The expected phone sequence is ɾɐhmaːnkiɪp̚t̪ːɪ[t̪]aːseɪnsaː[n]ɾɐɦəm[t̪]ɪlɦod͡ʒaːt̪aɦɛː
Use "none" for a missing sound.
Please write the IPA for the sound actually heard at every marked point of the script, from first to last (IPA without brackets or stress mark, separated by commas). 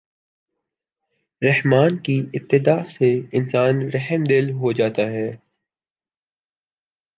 d̪, n, d̪